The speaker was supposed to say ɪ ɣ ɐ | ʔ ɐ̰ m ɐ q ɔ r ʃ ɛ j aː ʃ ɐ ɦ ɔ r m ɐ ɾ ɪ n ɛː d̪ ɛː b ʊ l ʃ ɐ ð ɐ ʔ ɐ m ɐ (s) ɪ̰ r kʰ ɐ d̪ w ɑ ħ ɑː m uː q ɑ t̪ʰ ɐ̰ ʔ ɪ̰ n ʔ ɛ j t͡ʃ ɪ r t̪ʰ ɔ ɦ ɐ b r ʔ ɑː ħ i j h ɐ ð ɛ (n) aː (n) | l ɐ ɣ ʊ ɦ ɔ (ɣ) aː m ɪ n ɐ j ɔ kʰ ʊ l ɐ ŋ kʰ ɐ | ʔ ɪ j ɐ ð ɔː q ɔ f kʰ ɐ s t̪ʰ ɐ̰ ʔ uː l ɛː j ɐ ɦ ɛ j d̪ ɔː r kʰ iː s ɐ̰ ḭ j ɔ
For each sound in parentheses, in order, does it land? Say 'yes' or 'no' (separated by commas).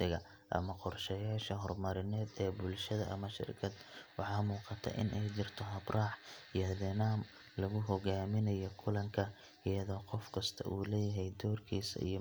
no, yes, no, yes